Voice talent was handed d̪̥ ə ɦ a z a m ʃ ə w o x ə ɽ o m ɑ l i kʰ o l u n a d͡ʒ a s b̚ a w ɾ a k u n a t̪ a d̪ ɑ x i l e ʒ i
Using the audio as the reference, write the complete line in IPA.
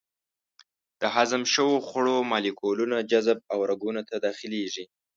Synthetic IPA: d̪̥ ə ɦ a z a m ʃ ə w o x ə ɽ o m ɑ l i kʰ o l u n a d͡ʒ a z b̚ a w ɾ a ɡ u n a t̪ a d̪ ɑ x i l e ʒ i